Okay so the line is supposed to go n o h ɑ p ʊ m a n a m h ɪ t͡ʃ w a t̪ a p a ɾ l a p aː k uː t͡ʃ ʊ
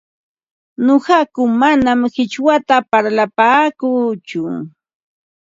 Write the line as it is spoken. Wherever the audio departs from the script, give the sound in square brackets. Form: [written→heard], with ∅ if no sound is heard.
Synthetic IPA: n o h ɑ [p→k] ʊ m a n a m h ɪ t͡ʃ w a t̪ a p a ɾ l a p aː k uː t͡ʃ ʊ